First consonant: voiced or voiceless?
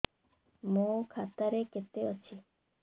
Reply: voiced